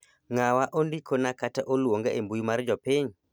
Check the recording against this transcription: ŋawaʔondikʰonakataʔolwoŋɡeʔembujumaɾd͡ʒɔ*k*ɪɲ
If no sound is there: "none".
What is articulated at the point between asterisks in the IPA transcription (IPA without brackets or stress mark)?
p